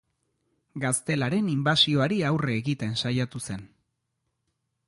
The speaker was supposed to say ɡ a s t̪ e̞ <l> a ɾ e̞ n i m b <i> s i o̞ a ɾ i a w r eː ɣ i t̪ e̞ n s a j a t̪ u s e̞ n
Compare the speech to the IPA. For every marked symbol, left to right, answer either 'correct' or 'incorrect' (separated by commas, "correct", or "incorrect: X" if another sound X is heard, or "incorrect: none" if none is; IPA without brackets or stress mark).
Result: correct, incorrect: a